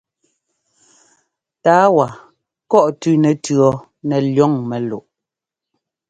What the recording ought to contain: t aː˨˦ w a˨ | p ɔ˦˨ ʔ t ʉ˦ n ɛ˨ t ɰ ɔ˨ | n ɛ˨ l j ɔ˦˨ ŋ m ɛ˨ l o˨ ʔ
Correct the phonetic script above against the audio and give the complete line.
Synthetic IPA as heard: t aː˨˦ w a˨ | k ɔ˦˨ ʔ t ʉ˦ n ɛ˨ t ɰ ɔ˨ | n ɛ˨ l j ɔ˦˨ ŋ m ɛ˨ l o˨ ʔ